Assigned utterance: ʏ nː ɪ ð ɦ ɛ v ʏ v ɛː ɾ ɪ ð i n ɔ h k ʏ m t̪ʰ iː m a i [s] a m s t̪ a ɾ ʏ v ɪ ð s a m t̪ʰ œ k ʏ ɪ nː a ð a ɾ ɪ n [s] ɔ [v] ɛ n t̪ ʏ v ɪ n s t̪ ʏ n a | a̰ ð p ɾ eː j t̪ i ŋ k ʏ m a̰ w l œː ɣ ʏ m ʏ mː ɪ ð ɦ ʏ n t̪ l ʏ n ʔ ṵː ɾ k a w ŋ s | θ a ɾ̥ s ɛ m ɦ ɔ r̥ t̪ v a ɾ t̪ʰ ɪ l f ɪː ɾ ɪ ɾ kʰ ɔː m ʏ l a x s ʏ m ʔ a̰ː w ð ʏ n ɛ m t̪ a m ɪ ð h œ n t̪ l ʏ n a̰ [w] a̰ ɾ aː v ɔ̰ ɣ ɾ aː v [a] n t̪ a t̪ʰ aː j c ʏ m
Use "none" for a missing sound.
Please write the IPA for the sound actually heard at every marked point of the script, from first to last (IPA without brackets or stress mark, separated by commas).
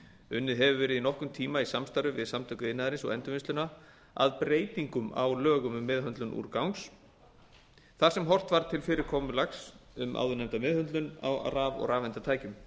s, s, ɣ, w, ɛ